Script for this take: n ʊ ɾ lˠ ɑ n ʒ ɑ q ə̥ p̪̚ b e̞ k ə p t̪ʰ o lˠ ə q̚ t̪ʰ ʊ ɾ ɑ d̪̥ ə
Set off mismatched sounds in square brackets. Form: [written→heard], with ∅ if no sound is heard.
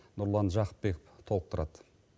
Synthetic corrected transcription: n ʊ ɾ lˠ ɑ n ʒ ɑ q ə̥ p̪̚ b e̞ k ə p t̪ʰ o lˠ ə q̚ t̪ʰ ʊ ɾ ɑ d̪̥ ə

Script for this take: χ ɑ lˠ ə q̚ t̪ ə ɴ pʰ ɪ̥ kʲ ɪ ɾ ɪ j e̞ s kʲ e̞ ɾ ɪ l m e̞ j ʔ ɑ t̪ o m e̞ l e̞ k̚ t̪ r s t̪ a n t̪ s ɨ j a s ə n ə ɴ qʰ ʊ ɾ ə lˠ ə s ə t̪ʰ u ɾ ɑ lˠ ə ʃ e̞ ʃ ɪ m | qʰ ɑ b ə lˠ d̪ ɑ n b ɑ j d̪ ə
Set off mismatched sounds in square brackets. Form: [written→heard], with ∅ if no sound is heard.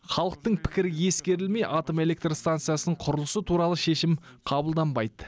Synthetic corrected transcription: χ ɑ lˠ ə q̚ t̪ ə ɴ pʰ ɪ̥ kʲ ɪ ɾ ɪ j e̞ s kʲ e̞ ɾ ɪ l m e̞ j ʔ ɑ t̪ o m e̞ l e̞ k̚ t̪ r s t̪ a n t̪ s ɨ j a s ə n ə ɴ qʰ ʊ ɾ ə lˠ ə s ə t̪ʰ u ɾ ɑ lˠ ə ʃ e̞ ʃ ɪ m | qʰ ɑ b ə lˠ d̪ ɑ n b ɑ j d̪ ə

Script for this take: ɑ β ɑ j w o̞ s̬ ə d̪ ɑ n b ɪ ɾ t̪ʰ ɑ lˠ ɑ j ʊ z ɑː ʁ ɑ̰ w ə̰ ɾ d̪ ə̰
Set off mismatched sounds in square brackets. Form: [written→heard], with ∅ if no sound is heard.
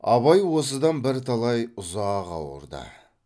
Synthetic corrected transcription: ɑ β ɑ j w o̞ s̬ ə d̪ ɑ n b ɪ ɾ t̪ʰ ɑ lˠ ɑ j ʊ z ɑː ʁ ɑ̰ w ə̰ ɾ d̪ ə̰

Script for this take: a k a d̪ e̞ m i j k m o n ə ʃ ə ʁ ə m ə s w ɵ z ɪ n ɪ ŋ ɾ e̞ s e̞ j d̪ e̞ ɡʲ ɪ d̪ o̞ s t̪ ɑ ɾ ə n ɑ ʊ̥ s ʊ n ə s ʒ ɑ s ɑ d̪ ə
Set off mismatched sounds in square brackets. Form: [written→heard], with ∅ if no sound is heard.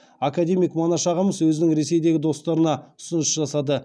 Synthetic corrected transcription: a k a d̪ e̞ m i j k m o n [ə→ɑ] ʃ [ə→ɑ] ʁ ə m ə s w ɵ z ɪ n ɪ ŋ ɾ e̞ s e̞ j d̪ e̞ ɡʲ ɪ d̪ o̞ s t̪ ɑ ɾ ə n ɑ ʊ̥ s ʊ n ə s ʒ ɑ s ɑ d̪ ə

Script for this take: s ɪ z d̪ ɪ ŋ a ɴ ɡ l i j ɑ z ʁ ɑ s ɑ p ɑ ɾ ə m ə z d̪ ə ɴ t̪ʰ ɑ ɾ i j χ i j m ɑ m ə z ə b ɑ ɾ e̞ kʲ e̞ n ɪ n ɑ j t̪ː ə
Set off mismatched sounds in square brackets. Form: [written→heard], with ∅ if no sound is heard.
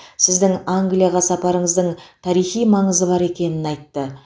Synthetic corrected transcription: s ɪ z d̪ ɪ ŋ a [ɴ→ŋ] ɡ l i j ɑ [z→∅] ʁ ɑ s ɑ p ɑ ɾ ə [m→ɴ] ə z d̪ ə ɴ t̪ʰ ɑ ɾ i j χ i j m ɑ [m→ɴ] ə z ə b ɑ ɾ e̞ kʲ e̞ n ɪ n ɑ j t̪ː ə

